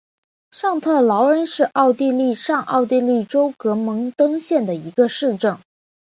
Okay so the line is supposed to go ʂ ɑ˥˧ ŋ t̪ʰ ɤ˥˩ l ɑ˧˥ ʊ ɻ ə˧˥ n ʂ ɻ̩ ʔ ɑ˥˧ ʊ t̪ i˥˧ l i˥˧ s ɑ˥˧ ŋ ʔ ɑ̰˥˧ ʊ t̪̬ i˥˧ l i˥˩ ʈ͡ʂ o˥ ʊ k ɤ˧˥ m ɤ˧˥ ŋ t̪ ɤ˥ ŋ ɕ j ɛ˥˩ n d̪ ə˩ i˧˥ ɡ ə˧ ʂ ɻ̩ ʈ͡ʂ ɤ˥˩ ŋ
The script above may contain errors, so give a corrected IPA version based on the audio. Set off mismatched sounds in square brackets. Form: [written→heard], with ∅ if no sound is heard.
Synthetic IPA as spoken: ʂ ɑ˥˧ ŋ t̪ʰ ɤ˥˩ l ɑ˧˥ ʊ ɻ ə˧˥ n ʂ ɻ̩ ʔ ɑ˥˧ ʊ t̪ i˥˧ l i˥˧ [s→ʂ] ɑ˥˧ ŋ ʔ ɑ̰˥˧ ʊ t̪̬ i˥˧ l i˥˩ ʈ͡ʂ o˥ ʊ k ɤ˧˥ m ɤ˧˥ ŋ t̪ ɤ˥ ŋ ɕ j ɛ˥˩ n d̪ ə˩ i˧˥ ɡ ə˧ ʂ ɻ̩ ʈ͡ʂ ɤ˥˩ ŋ